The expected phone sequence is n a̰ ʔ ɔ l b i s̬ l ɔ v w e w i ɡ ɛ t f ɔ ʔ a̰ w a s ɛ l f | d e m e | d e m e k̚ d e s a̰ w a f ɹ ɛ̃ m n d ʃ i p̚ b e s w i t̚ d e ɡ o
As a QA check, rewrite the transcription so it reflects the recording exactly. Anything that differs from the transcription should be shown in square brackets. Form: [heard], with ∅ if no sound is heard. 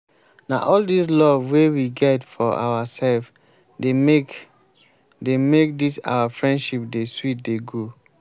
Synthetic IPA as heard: n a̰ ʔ ɔ l [d] i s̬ l ɔ v w e w i ɡ ɛ t f ɔ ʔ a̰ w a s ɛ l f | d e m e | d e m e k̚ d [i] s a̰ w a f ɹ ɛ̃ [∅] n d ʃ i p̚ [d] e s w i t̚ d e ɡ o

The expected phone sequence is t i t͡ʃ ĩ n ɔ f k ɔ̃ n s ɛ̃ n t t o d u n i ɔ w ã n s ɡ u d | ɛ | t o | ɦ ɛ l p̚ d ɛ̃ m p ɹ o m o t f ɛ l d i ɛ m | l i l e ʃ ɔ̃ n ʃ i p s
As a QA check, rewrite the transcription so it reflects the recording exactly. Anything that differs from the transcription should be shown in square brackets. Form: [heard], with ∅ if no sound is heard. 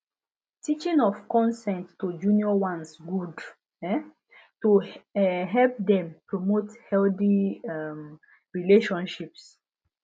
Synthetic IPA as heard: t i t͡ʃ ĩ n ɔ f k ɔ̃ n s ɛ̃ n t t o [d͡ʒ] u n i ɔ w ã n s ɡ u d | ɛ | t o | ɦ ɛ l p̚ d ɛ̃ m p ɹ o m o t [h] ɛ l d i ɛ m | [ɹ] i l e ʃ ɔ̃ n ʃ i p s

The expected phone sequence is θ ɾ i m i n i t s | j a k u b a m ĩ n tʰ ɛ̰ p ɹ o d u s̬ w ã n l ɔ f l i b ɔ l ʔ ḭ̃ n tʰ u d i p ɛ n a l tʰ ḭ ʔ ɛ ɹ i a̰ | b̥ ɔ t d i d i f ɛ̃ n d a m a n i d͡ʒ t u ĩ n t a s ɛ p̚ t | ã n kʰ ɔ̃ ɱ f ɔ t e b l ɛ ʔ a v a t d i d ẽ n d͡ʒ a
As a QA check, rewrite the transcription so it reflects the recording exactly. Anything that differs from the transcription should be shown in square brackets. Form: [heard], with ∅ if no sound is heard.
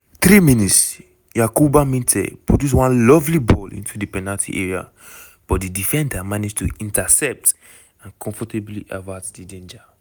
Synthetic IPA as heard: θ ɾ i m i n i t s | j a k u b a m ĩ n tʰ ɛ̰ p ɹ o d u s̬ w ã n l ɔ [v] l i b ɔ l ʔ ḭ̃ n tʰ u d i p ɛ n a l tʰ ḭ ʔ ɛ ɹ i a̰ | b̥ ɔ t d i d i f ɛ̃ n d a m a n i d͡ʒ t u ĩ n t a s ɛ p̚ t | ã n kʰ ɔ̃ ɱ f ɔ t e b l [i] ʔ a v a t d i d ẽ n d͡ʒ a

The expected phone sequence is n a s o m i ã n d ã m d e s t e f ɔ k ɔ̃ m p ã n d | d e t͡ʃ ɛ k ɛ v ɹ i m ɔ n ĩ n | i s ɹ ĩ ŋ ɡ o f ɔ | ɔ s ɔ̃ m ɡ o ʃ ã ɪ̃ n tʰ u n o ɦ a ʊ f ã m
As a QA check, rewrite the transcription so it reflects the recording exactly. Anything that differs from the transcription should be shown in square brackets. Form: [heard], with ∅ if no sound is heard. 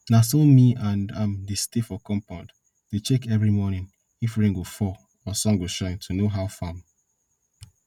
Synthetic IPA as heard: n a s o m i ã n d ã m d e s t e f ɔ k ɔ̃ m p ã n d | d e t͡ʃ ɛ k ɛ v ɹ i m ɔ n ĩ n | i [f] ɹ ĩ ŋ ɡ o f ɔ | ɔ s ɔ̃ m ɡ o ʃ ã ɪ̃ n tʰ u n o ɦ a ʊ f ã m

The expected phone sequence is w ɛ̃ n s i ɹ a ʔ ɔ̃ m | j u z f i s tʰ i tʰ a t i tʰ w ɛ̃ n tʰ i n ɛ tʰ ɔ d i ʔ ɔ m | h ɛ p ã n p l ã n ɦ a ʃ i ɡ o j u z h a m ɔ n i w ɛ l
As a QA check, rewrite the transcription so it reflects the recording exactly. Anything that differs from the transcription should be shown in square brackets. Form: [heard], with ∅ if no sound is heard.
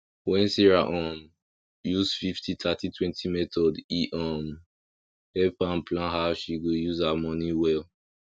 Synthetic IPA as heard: w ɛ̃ n s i ɹ a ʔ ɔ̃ m | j u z f i [f] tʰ i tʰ a t i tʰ w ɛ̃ n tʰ i [m] ɛ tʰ ɔ d i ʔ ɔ m | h ɛ p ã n p l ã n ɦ a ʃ i ɡ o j u z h a m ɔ n i w ɛ l

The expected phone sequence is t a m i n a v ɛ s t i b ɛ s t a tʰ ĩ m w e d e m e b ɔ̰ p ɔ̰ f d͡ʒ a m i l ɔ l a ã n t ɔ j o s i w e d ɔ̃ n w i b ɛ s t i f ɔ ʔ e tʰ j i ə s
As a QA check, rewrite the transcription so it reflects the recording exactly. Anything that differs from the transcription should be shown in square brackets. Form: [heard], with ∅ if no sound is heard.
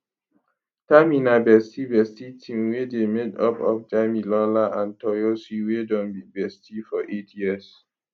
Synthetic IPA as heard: t a m i n a [b] ɛ s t i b ɛ s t [i] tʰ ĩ m w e d e m e [d] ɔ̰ p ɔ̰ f d͡ʒ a m i l ɔ l a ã n t ɔ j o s i w e d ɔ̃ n [b] i b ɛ s t i f ɔ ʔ e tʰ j i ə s

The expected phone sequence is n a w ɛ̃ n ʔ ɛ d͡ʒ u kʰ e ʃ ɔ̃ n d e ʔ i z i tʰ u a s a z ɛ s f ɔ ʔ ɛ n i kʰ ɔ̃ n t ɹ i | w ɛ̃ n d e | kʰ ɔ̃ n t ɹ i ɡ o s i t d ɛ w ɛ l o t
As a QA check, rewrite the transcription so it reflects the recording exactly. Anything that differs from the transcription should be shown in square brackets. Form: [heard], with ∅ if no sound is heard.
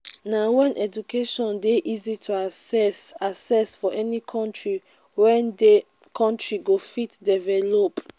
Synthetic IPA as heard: n a w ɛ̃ n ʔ ɛ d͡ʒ u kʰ e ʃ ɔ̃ n d e ʔ i z i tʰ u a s a [s] ɛ s f ɔ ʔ ɛ n i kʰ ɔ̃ n t ɹ i | w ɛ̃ n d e | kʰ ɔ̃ n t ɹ i ɡ o [f] i t d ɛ [v] ɛ l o [p]

